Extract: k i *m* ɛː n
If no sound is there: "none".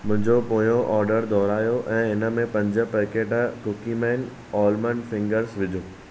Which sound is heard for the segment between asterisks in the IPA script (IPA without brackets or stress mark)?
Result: m